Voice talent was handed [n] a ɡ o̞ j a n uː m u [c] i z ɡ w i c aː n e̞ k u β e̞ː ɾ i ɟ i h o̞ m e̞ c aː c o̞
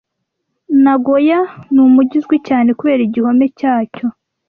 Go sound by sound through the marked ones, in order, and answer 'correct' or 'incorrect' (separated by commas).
correct, incorrect